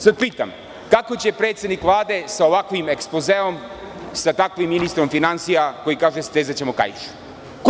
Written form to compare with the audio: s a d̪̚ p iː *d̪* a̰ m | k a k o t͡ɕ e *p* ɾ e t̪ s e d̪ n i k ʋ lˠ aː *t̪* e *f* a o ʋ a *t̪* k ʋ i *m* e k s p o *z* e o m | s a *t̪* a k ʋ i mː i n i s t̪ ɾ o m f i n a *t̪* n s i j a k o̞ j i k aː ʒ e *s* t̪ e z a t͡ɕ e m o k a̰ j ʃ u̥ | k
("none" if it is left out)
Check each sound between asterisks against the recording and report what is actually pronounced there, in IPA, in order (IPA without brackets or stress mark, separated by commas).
t̪, p, d̪, s, none, m, z, t̪, none, s